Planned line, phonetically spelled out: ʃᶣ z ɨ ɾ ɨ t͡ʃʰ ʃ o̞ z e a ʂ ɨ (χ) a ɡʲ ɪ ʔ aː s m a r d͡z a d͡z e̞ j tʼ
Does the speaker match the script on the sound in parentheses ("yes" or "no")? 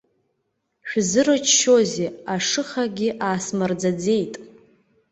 yes